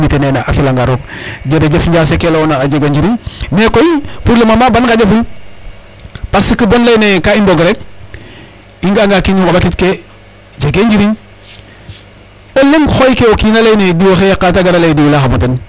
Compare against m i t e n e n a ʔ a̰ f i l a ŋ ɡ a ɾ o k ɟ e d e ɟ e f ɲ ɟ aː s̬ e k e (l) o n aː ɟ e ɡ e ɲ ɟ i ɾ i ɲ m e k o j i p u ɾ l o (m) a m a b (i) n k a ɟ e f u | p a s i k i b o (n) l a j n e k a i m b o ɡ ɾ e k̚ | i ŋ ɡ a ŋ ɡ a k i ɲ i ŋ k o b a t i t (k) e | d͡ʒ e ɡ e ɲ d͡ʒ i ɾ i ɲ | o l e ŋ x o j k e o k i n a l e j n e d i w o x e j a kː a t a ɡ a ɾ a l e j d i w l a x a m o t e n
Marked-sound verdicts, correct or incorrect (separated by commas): correct, correct, incorrect, correct, correct